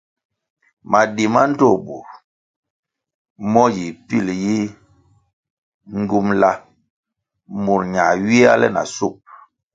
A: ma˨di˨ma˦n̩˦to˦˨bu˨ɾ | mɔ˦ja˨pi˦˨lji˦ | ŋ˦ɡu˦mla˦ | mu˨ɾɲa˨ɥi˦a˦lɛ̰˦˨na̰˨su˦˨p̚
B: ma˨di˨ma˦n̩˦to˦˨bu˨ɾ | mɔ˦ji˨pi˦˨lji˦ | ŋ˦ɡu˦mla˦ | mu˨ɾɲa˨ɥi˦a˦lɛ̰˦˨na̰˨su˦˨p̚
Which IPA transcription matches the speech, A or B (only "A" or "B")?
B